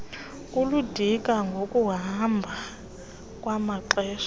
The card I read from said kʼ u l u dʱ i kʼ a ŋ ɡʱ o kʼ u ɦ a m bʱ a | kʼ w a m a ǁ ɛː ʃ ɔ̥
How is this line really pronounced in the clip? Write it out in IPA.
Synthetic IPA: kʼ u l u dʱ i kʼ a ŋ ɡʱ o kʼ u ɦ a m bʱ a | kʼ w a m a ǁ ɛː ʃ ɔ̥